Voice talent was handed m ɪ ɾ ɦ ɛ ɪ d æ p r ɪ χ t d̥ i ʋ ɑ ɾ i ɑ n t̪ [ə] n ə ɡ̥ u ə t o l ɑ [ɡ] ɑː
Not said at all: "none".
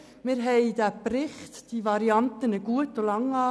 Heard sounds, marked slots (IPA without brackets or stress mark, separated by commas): ə, ŋ